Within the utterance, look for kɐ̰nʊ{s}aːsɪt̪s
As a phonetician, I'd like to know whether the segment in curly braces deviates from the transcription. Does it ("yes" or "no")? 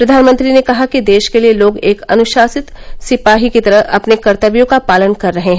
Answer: yes